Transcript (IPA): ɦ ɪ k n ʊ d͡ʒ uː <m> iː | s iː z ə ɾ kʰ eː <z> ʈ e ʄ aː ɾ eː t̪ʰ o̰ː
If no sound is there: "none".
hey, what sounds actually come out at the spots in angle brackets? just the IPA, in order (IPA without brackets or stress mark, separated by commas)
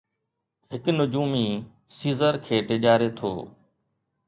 m, none